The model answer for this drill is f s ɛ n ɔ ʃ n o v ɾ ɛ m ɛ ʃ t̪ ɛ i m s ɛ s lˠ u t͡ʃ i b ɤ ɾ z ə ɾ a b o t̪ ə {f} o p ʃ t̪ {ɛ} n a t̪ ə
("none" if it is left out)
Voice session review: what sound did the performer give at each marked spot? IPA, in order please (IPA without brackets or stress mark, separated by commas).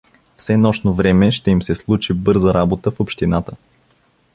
f, i